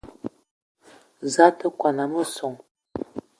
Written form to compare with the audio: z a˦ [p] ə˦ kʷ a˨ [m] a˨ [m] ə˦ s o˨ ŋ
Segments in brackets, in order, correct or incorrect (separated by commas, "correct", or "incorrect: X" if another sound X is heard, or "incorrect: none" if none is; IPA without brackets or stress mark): incorrect: t, incorrect: n, correct